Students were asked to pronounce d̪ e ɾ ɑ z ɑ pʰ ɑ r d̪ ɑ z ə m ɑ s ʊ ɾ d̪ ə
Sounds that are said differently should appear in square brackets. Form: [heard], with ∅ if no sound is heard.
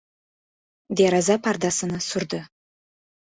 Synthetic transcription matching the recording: d̪ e ɾ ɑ z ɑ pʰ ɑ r d̪ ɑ [s] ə [n] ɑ s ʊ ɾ d̪ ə